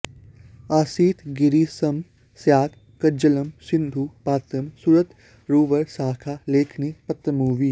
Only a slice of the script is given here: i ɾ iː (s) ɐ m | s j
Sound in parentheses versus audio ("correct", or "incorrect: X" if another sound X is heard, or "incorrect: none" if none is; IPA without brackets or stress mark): correct